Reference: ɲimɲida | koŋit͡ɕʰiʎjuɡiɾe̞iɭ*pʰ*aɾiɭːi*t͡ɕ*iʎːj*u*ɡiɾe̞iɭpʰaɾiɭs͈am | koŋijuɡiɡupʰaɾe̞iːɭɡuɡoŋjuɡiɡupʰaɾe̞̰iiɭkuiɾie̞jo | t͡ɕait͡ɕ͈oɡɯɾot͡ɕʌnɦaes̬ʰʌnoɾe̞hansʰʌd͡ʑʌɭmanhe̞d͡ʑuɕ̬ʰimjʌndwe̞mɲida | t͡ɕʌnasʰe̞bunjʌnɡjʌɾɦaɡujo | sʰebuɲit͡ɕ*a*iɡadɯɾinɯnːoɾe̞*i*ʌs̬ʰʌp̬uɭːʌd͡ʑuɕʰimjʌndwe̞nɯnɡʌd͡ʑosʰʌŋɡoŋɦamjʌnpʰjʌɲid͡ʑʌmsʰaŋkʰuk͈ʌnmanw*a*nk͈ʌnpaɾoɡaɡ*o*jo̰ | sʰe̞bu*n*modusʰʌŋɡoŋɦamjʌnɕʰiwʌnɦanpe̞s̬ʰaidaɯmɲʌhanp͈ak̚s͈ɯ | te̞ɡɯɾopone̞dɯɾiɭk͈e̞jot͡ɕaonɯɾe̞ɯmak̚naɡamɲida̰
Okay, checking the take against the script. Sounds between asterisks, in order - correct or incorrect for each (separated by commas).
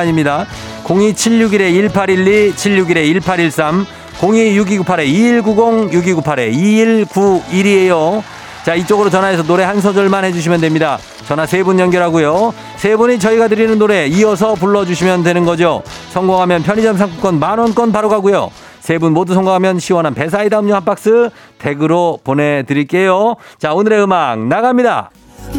correct, incorrect, correct, incorrect, correct, incorrect, incorrect, correct